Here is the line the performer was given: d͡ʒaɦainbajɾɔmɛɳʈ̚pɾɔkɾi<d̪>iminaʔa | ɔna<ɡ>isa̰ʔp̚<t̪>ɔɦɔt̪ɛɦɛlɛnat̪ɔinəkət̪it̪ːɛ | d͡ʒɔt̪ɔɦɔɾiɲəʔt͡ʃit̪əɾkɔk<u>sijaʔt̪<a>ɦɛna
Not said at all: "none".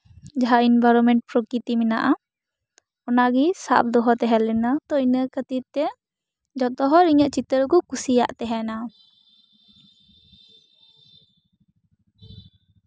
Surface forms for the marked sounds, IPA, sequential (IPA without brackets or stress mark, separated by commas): t̪, ɡ, d̪, u, ɛ